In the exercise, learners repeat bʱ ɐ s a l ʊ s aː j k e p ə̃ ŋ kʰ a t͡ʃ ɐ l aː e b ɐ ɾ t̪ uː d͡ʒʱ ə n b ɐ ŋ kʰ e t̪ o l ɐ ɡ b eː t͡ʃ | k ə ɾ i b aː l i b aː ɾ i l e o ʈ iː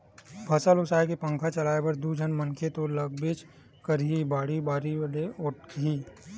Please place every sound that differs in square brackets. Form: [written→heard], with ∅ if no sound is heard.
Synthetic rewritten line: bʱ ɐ s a l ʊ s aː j k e p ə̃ ŋ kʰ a t͡ʃ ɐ l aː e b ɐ ɾ [t̪→d̪] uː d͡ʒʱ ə n [b→m] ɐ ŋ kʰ e t̪ o l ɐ ɡ b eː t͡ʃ | k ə ɾ i b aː [l→ɽ] i b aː ɾ i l e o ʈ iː